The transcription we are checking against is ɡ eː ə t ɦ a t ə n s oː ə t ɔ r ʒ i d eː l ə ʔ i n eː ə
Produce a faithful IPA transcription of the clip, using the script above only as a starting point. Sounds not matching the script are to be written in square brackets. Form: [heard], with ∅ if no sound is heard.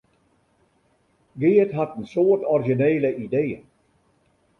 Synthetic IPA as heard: ɡ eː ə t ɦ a t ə n s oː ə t ɔ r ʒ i [n] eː l ə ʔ i [d] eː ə